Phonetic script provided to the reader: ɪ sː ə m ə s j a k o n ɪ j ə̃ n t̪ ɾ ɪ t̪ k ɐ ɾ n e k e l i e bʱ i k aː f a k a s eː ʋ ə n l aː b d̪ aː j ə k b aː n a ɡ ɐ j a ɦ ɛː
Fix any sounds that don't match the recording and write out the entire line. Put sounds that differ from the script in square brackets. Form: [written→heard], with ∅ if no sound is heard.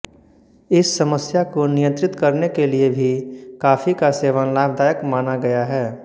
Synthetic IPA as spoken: ɪ sː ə m ə s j a k o n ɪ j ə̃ n t̪ ɾ ɪ t̪ k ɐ ɾ n e k e l i e bʱ i k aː f [a→i] k a s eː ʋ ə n l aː b d̪ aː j ə k [b→m] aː n a ɡ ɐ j a ɦ ɛː